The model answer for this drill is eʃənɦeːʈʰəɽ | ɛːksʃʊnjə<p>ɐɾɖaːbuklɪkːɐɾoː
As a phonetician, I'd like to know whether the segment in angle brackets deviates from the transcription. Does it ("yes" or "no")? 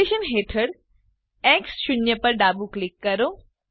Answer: no